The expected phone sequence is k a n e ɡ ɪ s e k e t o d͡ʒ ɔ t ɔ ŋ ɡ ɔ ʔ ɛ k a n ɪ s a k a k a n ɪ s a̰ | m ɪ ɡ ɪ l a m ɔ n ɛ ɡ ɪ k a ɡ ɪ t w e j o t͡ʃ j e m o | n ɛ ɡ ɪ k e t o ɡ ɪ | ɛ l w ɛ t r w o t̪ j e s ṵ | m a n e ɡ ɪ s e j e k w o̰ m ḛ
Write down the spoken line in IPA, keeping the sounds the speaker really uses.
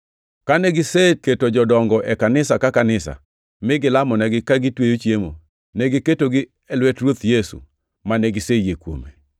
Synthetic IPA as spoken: k a n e ɡ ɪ s e k e t o d͡ʒ ɔ d ɔ ŋ ɡ ɔ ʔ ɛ k a n ɪ s a k a k a n ɪ s a̰ | m ɪ ɡ ɪ l a m ɔ n ɛ ɡ ɪ k a ɡ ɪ t w e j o t͡ʃ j e m o | n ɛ ɡ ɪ k e t o ɡ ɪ | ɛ l w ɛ t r w o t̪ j e s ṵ | m a n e ɡ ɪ s e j e k w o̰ m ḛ

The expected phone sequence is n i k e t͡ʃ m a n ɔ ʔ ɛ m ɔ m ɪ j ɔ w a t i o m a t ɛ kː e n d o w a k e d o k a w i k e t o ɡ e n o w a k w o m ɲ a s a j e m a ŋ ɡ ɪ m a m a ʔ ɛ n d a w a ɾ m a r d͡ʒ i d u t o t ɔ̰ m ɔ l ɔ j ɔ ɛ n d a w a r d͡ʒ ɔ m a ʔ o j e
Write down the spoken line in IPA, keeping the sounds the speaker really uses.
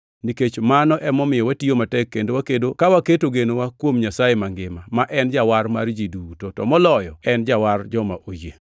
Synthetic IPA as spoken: n i k e t͡ʃ m a n ɔ ʔ ɛ m ɔ m ɪ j ɔ w a t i o m a t ɛ kː e n d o w a k e d o k a w a k e t o ɡ e n o w a k w o m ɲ a s a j e m a ŋ ɡ ɪ m a m a ʔ ɛ n d͡ʒ a w a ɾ m a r d͡ʒ i d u t o t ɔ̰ m ɔ l ɔ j ɔ ɛ n d͡ʒ a w a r d͡ʒ ɔ m a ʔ o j e

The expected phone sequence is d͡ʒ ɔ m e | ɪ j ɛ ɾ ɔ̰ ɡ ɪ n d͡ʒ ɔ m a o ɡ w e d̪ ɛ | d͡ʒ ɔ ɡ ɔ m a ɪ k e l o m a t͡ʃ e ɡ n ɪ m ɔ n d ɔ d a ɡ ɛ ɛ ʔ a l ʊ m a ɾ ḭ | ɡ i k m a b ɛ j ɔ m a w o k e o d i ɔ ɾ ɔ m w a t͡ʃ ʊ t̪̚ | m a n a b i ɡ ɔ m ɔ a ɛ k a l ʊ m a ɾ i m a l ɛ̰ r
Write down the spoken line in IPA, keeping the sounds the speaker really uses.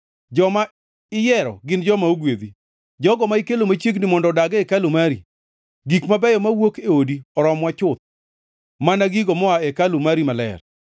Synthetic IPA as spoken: d͡ʒ ɔ m a | ɪ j ɛ ɾ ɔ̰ ɡ ɪ n d͡ʒ ɔ m a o ɡ w e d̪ i | d͡ʒ ɔ ɡ ɔ m a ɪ k e l o m a t͡ʃ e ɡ n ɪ m ɔ n d ɔ d a ɡ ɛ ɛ k a l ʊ m a ɾ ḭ | ɡ i k m a b ɛ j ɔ m a w o k e o d i ɔ ɾ ɔ m w a t͡ʃ ʊ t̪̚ | m a n a ɡ i ɡ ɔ m ɔ a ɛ k a l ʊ m a ɾ i m a l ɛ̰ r

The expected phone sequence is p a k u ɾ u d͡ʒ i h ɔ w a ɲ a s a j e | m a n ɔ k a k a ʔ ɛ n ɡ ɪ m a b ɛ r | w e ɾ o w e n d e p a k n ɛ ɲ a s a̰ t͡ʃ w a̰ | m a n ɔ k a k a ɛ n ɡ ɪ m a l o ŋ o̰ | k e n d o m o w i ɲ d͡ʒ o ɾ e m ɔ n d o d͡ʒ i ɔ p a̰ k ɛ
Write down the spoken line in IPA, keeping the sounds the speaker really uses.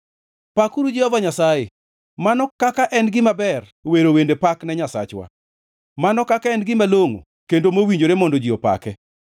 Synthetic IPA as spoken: p a k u ɾ u d͡ʒ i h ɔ v a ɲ a s a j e | m a n ɔ k a k a ʔ ɛ n ɡ ɪ m a b ɛ r | w e ɾ o w e n d e p a k n ɛ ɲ a s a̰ t͡ʃ w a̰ | m a n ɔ k a k a ɛ n ɡ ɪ m a l o ŋ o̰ | k e n d o m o w i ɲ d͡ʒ o ɾ e m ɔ n d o d͡ʒ i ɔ p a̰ k ɛ

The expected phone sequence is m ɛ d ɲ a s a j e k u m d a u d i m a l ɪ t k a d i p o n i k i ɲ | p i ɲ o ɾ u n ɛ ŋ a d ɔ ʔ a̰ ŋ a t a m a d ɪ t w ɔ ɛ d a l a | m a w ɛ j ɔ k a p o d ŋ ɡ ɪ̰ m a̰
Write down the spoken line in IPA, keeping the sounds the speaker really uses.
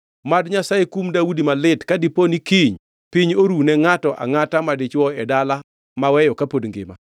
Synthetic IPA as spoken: m a d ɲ a s a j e k u m d a u d i m a l ɪ t k a d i p o n i k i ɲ | p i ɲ o ɾ u n ɛ ŋ a t ɔ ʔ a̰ ŋ a t a m a d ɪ t͡ʃ w ɔ ɛ d a l a | m a w ɛ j ɔ k a p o d ŋ ɡ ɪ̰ m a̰

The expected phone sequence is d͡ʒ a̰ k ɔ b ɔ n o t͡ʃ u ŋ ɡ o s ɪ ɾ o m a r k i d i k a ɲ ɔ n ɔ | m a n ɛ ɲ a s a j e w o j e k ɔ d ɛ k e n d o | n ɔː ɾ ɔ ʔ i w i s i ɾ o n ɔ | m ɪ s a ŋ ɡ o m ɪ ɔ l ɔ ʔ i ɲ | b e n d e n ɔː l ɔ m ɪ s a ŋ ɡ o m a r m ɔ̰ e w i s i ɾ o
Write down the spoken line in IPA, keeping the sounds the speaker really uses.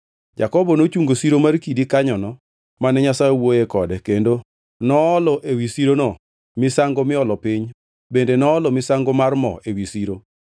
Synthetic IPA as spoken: d͡ʒ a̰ k ɔ b ɔ n o t͡ʃ u ŋ ɡ o s i ɾ o m a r k i d i k a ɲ ɔ n ɔ | m a n ɛ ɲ a s a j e w o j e k ɔ d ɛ k e n d o | n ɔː l ɔ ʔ e w i s i ɾ o n ɔ | m ɪ s a ŋ ɡ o m ɪ ɔ l ɔ p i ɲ | b e n d e n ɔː l ɔ m ɪ s a ŋ ɡ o m a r m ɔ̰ e w i s i ɾ o

